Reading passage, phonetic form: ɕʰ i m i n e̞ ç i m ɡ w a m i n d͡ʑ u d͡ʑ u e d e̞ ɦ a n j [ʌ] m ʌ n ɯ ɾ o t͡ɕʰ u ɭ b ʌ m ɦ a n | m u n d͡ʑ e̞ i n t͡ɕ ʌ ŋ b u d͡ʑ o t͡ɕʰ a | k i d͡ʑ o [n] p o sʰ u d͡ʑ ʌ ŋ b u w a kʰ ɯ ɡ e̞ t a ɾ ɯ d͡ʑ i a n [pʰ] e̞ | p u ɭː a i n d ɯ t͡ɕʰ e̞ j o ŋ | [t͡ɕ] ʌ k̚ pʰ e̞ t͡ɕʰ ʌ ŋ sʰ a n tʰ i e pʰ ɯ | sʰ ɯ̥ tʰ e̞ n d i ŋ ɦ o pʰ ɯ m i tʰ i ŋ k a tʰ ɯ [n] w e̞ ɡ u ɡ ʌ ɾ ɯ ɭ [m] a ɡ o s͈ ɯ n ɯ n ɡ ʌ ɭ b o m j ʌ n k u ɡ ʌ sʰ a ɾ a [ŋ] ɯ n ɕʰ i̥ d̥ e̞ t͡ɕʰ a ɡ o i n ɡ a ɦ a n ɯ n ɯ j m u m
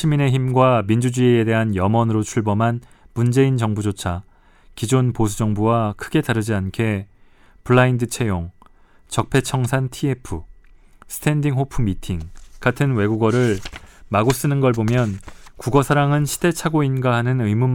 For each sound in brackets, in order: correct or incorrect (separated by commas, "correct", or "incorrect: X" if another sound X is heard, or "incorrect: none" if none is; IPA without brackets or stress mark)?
correct, correct, incorrect: kʰ, correct, correct, correct, correct